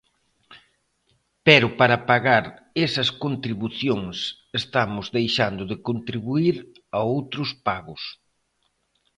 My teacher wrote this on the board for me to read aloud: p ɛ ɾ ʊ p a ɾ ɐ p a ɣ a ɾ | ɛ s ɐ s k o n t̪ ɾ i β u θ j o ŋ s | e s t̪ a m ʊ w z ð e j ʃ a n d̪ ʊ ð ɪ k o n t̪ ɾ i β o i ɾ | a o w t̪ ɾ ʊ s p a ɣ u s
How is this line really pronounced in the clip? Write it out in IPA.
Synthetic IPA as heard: p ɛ ɾ ʊ p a ɾ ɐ p a ɣ a ɾ | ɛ s ɐ s k o n t̪ ɾ i β u θ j o ŋ s | e s t̪ a m ʊ z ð e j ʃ a n d̪ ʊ ð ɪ k o n t̪ ɾ i β u i ɾ | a o w t̪ ɾ ʊ s p a ɣ ʊ s